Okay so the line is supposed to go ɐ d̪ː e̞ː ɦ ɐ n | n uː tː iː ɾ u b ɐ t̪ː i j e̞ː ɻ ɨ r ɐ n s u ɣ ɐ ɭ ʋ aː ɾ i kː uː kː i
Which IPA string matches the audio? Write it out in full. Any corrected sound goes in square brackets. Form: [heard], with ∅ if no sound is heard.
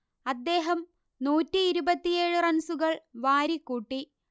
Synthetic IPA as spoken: ɐ d̪ː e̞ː ɦ ɐ [m] | n uː tː iː ɾ u b ɐ t̪ː i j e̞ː ɻ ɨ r ɐ n s u ɣ ɐ ɭ ʋ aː ɾ i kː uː [ʈː] i

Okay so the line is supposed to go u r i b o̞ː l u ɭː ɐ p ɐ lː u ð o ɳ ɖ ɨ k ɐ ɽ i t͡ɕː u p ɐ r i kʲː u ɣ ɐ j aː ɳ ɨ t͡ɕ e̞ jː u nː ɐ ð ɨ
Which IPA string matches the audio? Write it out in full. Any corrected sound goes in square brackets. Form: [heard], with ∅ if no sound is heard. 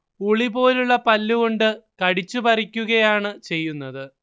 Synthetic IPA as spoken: u [ɭ] i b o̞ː l u ɭː ɐ p ɐ lː u [ɣ] o ɳ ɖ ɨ k ɐ ɽ i t͡ɕː u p ɐ r i kʲː u ɣ ɐ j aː ɳ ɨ t͡ɕ e̞ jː u nː ɐ ð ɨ

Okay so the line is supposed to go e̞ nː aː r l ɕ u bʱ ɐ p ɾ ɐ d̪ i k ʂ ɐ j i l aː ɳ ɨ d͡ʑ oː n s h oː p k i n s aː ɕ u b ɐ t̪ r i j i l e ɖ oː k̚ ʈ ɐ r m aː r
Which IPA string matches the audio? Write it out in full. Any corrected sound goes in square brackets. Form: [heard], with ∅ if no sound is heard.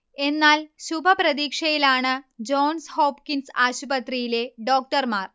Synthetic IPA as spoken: e̞ nː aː [∅] l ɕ u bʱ ɐ p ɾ ɐ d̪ [iː] k ʂ ɐ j i l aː ɳ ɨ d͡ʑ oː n s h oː p k i n s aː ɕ u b ɐ t̪ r i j i l e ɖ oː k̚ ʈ ɐ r m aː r

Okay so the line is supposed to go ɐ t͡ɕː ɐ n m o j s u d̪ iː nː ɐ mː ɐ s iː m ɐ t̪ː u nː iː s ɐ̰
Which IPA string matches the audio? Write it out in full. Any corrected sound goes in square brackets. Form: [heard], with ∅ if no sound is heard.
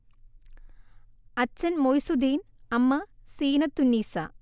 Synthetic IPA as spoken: ɐ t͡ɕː ɐ n m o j s u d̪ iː [n] ɐ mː ɐ s iː [n] ɐ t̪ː u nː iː s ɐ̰

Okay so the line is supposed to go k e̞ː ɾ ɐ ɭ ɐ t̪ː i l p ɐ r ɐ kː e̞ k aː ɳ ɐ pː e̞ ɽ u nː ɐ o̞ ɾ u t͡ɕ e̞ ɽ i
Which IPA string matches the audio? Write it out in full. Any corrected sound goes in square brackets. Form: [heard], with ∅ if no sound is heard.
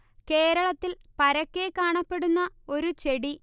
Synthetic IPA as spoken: k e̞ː ɾ ɐ ɭ ɐ t̪ː i l p ɐ [ɾ] ɐ kː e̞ k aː ɳ ɐ pː e̞ ɽ u nː ɐ o̞ ɾ u t͡ɕ e̞ ɽ i

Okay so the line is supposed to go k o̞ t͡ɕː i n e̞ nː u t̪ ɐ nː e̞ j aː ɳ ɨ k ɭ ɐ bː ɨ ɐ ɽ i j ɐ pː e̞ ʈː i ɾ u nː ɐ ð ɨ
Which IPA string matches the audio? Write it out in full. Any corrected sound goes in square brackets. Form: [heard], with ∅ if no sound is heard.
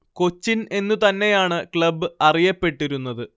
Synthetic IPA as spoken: k o̞ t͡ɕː i n e̞ nː u t̪ ɐ nː e̞ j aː ɳ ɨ k ɭ ɐ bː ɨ ɐ [r] i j ɐ pː e̞ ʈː i ɾ u nː ɐ ð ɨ

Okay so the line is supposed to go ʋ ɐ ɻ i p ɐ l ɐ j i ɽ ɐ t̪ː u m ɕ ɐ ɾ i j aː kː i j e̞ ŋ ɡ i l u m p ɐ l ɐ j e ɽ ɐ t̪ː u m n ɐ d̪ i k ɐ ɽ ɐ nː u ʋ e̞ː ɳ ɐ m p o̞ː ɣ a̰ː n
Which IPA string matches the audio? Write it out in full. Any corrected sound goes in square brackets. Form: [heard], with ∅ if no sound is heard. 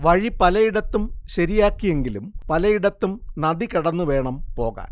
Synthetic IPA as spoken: ʋ ɐ ɻ i p ɐ l ɐ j i ɽ ɐ t̪ː u m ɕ ɐ ɾ i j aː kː i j e̞ ŋ ɡ i l u m p ɐ l ɐ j [i] ɽ ɐ t̪ː u m n ɐ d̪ i k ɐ ɽ ɐ nː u ʋ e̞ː ɳ ɐ m p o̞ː ɣ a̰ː n

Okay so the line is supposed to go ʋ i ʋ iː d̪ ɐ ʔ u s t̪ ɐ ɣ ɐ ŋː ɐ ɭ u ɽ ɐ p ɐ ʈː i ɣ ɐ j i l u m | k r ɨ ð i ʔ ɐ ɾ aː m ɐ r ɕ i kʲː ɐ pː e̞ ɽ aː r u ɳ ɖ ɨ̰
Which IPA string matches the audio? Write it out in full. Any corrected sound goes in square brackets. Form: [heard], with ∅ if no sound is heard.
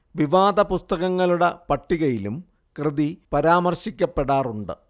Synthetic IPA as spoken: ʋ i ʋ [aː] d̪ ɐ [p] u s t̪ ɐ ɣ ɐ ŋː ɐ ɭ u ɽ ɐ p ɐ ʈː i ɣ ɐ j i l u m | k r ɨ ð i [p] ɐ ɾ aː m ɐ r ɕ i kʲː ɐ pː e̞ ɽ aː r u ɳ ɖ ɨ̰

